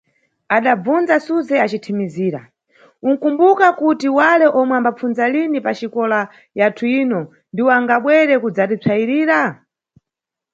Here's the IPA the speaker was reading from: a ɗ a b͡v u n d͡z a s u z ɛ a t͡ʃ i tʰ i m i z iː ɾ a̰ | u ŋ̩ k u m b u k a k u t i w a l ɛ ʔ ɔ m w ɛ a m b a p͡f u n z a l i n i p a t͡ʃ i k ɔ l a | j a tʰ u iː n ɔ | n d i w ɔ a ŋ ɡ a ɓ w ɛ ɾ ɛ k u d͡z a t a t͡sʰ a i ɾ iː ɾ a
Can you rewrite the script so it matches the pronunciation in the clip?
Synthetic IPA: a ɗ a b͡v u n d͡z a s u z ɛ a t͡ʃ i tʰ i m i z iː ɾ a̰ | u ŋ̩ k u m b u k a k u t i w a l ɛ ʔ ɔ m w ɛ a m b a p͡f u n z a l i n i p a t͡ʃ i k ɔ l a | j a tʰ u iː n ɔ | n d i w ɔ a ŋ ɡ a ɓ w ɛ ɾ ɛ k u d͡z a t i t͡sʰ a i ɾ iː ɾ a